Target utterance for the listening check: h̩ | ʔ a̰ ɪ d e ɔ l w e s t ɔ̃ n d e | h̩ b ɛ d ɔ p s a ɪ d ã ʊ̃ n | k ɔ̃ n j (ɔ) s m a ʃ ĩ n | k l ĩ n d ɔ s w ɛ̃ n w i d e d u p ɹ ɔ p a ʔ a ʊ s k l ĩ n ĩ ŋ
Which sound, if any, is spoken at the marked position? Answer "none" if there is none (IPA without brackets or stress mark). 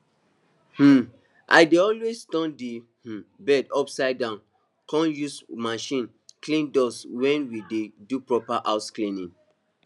u